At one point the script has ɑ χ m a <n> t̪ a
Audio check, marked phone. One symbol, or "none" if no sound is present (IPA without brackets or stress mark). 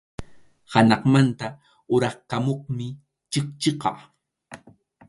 n